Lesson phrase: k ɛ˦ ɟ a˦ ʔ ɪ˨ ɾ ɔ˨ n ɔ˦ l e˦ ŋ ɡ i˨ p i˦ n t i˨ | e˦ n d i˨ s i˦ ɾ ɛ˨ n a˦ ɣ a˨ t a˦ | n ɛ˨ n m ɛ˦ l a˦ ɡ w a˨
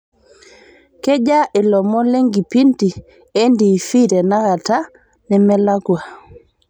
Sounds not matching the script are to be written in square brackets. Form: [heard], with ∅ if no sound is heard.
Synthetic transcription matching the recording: k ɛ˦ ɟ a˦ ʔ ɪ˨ [l] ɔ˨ [m] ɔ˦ l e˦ ŋ ɡ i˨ p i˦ n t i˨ | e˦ n d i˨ [f] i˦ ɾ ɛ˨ n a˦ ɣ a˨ t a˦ | n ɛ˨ [∅] m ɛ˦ l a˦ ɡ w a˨

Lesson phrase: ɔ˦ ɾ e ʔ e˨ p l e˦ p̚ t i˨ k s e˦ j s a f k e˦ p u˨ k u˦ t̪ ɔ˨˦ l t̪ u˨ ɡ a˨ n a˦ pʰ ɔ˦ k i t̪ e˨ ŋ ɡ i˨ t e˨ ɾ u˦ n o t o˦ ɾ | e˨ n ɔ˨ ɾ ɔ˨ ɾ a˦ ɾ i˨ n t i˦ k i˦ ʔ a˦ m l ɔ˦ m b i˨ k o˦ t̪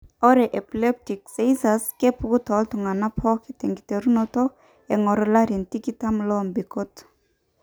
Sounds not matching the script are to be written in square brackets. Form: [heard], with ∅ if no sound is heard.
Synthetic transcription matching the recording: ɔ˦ ɾ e ʔ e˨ p l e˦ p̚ t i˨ k s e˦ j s a [s] k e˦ p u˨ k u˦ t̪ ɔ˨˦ l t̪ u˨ [ŋ] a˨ n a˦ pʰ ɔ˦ k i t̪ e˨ ŋ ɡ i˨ t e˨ ɾ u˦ n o t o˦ [∅] | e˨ [ŋ] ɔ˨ ɾ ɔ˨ [l] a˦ ɾ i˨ n t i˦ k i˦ [t] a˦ m l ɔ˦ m b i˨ k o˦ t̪

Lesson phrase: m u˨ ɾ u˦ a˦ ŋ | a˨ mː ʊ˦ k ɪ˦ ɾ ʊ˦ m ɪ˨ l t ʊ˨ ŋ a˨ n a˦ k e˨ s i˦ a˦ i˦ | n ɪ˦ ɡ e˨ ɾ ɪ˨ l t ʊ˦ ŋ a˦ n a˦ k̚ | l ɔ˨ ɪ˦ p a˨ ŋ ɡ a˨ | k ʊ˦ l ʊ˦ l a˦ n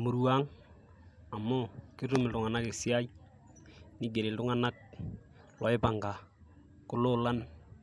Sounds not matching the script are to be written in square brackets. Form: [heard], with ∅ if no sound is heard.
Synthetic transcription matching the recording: m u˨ ɾ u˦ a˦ ŋ | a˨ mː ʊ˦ k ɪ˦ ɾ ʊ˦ m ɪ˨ l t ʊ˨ ŋ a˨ n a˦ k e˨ s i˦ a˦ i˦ | n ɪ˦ ɡ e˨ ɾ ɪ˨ l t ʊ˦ ŋ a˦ n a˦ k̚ | l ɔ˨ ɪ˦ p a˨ ŋ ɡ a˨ | k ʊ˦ l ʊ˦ l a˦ n

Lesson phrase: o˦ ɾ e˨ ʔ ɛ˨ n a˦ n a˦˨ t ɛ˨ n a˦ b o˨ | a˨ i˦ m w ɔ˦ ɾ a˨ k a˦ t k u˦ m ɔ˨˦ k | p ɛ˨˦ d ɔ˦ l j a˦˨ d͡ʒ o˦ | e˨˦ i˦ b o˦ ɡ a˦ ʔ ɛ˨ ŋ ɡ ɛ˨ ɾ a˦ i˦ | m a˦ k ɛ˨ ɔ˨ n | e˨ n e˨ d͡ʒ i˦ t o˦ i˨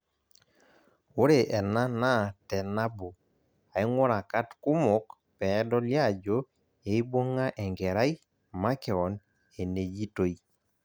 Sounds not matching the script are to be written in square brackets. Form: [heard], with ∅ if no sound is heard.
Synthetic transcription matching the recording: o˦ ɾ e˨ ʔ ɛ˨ n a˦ n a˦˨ t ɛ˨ n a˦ b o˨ | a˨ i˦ [ŋ] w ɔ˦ ɾ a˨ k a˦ t k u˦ m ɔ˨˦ k | p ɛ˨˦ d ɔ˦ l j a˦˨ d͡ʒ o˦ | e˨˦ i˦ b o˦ [ŋ] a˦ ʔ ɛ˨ ŋ ɡ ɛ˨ ɾ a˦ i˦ | m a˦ k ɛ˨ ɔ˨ n | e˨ n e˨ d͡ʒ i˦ t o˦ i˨

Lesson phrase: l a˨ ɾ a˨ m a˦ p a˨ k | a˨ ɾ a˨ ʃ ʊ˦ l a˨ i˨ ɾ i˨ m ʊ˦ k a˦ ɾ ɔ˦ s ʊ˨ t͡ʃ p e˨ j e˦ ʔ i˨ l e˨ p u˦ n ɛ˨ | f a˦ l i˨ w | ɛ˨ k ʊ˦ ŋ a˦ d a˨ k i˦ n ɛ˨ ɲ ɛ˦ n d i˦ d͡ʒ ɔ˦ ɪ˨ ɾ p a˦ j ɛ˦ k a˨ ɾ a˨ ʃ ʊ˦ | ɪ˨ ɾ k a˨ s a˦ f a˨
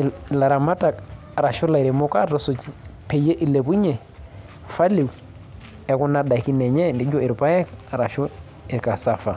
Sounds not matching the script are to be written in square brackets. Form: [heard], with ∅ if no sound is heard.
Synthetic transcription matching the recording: l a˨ ɾ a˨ m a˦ [t] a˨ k | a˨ ɾ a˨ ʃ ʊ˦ l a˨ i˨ ɾ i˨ m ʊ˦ k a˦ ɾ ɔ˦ s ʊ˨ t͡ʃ p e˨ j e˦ ʔ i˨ l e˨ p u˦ [ɲ] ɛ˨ | f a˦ l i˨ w | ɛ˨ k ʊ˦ [n] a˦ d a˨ k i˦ n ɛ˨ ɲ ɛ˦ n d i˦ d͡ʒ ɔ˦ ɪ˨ ɾ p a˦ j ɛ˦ k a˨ ɾ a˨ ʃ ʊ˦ | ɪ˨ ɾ k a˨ s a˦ f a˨

